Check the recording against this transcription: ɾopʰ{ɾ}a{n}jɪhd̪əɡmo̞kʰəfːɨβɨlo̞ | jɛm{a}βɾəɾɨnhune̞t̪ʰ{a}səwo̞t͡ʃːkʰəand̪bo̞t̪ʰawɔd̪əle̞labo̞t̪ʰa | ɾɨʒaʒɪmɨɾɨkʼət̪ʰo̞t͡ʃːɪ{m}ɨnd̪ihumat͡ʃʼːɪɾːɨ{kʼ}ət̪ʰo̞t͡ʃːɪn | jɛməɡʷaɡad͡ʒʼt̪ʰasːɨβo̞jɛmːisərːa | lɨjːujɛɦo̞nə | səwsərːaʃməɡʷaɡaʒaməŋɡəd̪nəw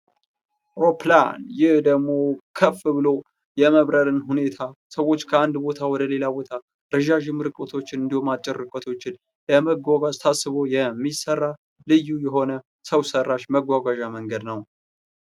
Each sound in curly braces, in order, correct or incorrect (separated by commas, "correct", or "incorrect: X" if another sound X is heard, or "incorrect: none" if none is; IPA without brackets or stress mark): incorrect: l, correct, incorrect: ə, correct, incorrect: n, correct